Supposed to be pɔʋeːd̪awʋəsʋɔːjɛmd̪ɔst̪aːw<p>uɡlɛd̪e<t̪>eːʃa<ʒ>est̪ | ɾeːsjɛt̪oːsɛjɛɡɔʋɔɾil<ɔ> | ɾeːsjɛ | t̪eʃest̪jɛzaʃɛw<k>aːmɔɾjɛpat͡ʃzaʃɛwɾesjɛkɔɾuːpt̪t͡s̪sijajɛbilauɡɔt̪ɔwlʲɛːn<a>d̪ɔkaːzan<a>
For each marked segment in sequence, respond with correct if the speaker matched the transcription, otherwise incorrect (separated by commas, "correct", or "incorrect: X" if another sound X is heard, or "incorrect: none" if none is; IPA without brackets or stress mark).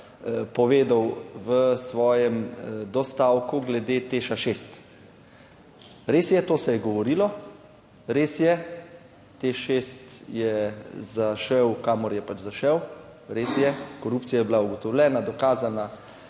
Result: incorrect: k, correct, incorrect: ʃ, correct, correct, correct, correct